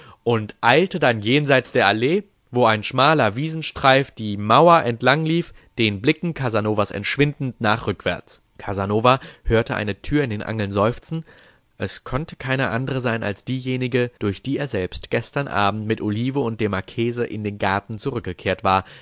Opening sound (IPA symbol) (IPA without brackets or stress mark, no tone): ʔ